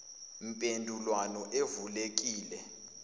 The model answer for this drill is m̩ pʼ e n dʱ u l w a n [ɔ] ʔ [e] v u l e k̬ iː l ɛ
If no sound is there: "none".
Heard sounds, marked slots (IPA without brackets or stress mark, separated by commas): ɔ, e